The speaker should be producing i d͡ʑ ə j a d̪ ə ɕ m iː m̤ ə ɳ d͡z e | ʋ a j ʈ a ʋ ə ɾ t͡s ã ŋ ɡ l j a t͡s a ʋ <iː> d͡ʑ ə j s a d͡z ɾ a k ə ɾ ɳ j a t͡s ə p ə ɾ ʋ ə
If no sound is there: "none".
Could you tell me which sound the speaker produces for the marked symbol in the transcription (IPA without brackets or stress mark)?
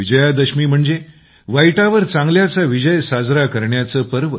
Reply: i